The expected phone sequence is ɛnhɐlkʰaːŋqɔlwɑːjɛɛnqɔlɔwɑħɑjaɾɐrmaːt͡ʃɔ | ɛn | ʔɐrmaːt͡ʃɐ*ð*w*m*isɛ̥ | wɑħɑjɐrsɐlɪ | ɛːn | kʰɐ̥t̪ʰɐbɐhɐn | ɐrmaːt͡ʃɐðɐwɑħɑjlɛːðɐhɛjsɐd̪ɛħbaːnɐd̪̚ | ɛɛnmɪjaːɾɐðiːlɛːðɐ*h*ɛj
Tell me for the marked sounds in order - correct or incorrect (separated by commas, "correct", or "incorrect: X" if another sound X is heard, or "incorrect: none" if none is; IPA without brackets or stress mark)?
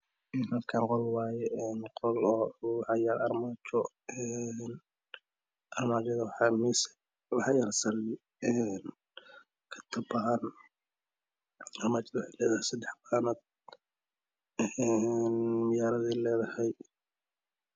correct, correct, correct